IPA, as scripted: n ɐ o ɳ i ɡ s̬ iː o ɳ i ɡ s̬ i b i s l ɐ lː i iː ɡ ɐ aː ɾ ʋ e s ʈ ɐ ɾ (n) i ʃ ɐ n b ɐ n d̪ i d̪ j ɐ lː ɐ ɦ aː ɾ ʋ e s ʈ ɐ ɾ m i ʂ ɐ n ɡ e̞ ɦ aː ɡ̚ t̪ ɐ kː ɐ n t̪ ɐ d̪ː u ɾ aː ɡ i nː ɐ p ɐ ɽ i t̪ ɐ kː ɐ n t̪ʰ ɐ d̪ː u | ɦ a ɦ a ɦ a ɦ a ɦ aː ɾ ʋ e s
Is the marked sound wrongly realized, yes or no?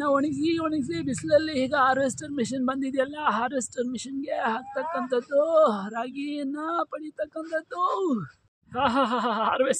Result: yes